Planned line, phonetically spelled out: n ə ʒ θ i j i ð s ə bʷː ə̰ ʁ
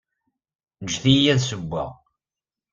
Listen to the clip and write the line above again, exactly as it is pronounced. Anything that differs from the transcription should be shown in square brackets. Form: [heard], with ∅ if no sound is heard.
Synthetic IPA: n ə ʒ θ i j [æ] ð s ə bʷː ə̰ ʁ